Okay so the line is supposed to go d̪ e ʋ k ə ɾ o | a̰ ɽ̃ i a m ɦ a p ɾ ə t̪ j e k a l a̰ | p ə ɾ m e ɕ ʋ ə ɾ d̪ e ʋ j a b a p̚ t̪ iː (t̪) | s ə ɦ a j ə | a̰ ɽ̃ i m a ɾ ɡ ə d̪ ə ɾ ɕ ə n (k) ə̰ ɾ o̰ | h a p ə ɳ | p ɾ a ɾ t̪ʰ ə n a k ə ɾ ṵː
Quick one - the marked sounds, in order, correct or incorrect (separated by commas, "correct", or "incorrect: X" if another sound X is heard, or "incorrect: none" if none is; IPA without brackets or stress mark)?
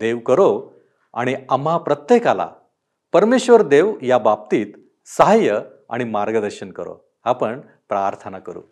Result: correct, correct